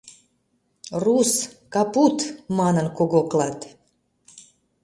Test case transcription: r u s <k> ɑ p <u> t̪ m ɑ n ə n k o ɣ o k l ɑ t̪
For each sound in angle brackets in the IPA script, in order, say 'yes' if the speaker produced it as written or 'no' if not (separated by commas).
yes, yes